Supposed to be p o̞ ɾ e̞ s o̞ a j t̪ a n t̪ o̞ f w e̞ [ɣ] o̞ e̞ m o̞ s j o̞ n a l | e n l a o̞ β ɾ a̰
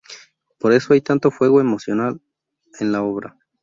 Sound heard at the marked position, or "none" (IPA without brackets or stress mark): ɣ